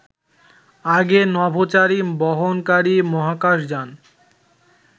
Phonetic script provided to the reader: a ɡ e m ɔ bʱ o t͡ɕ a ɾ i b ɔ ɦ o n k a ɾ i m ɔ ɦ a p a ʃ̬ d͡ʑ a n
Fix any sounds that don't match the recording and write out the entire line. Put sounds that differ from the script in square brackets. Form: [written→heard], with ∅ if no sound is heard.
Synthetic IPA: a ɡ e [m→n] ɔ bʱ o t͡ɕ a ɾ i b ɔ ɦ o n k a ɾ i m ɔ ɦ a [p→k] a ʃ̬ d͡ʑ a n